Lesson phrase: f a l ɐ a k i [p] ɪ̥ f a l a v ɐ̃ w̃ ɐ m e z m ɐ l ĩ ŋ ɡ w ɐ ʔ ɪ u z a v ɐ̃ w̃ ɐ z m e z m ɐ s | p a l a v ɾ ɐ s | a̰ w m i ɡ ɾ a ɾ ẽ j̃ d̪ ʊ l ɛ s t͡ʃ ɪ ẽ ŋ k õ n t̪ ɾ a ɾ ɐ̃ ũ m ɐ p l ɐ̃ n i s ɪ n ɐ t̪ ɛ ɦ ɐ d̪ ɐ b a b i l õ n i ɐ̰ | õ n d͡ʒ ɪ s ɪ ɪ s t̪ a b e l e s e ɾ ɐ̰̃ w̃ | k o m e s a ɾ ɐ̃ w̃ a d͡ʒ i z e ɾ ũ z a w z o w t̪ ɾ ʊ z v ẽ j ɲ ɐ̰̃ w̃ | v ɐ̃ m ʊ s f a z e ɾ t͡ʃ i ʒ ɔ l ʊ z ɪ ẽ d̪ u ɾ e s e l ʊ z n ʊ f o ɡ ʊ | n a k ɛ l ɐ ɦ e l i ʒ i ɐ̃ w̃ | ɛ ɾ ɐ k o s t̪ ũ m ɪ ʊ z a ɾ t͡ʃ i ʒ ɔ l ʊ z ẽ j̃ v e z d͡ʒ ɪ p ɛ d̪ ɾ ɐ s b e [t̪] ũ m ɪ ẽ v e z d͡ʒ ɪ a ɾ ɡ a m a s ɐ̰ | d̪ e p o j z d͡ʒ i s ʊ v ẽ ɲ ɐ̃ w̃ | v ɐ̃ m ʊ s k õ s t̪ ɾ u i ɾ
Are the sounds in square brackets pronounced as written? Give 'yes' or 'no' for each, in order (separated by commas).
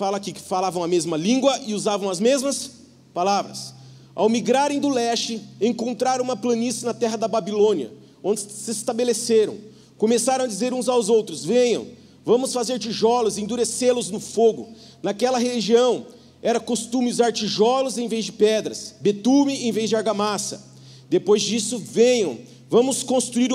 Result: no, yes